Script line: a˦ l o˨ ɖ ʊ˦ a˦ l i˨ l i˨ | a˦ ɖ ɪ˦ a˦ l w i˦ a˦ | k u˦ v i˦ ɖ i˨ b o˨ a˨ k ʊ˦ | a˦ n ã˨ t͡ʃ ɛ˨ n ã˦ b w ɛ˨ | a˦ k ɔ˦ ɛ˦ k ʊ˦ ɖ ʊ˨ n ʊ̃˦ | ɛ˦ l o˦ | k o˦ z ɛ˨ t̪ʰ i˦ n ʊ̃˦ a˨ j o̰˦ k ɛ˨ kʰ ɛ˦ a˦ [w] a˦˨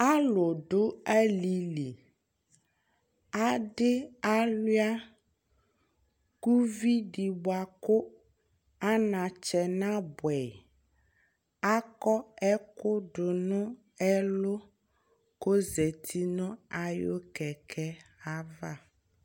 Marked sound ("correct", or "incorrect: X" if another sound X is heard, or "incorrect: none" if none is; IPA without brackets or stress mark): incorrect: v